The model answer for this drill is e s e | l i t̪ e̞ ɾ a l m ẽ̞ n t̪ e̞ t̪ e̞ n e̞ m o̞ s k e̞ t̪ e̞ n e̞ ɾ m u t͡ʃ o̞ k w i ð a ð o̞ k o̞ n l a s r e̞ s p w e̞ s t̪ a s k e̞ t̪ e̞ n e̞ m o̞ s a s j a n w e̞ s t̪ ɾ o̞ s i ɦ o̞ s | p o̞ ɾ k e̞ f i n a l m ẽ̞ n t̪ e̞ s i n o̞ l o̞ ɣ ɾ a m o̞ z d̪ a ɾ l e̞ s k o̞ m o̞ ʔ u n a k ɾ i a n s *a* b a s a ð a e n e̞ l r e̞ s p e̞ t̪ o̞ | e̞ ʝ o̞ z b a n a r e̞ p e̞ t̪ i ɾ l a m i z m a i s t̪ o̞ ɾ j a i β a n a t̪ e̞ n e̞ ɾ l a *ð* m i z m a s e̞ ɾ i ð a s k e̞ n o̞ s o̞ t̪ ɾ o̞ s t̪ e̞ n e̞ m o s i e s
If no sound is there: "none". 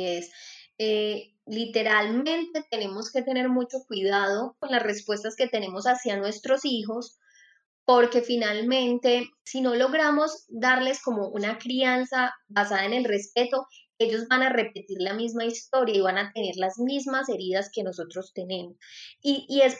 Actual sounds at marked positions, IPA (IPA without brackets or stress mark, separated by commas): a, z